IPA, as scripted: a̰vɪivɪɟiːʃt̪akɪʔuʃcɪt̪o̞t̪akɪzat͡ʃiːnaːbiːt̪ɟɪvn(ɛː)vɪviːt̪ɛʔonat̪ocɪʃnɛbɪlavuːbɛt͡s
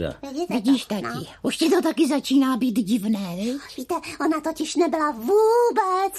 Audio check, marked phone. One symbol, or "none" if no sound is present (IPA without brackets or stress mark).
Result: ɛː